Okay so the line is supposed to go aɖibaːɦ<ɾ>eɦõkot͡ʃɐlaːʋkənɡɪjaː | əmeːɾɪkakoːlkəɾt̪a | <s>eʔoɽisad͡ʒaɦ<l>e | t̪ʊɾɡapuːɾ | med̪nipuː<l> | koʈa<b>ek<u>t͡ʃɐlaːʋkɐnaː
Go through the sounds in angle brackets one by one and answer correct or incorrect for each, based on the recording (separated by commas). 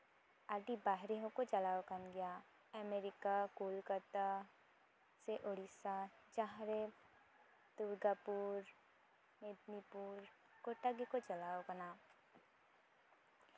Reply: correct, correct, incorrect, incorrect, incorrect, incorrect